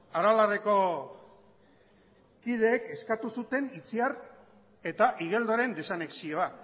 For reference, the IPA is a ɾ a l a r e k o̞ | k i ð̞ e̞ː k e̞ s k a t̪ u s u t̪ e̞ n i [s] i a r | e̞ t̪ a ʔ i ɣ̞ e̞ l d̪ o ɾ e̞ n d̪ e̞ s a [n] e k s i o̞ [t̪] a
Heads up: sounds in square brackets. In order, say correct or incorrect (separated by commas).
incorrect, correct, incorrect